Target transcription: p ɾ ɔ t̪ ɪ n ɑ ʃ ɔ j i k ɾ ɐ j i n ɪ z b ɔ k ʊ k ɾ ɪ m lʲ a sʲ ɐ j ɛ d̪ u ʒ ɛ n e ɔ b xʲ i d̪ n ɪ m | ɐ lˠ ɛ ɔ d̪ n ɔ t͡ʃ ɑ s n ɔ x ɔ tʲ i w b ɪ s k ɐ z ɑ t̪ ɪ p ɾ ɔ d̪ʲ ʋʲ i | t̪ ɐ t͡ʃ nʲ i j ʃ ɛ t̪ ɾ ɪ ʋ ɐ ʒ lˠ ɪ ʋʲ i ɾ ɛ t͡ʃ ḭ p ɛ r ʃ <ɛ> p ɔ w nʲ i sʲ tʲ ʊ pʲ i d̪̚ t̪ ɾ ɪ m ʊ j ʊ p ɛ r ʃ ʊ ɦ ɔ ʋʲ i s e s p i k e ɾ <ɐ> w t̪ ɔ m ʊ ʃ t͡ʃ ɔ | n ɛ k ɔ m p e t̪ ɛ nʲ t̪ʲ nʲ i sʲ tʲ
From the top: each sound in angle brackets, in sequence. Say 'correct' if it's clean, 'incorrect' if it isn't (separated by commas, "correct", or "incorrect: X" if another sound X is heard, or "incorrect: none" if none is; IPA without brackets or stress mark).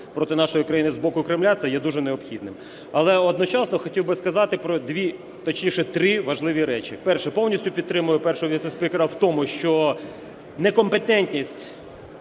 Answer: correct, correct